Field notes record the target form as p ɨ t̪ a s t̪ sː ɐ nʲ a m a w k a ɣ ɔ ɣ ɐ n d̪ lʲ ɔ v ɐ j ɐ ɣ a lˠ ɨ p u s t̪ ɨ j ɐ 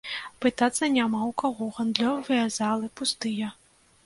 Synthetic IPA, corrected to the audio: p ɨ t̪ a t̪ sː ɐ nʲ a m a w k a ɣ ɔ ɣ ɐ n d̪ lʲ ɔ v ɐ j ɐ z a lˠ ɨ p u s t̪ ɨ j ɐ